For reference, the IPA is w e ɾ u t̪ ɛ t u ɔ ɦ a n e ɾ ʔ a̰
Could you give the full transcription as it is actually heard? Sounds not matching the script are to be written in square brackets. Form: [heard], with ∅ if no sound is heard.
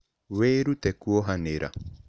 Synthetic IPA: w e ɾ u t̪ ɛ [k] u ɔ ɦ a n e ɾ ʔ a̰